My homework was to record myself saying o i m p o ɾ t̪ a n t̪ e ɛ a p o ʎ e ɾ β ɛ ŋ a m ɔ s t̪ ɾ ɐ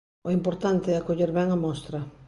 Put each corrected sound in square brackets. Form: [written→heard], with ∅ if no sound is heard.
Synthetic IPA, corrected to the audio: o i m p o ɾ t̪ a n t̪ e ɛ a [p→k] o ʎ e ɾ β ɛ ŋ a m ɔ s t̪ ɾ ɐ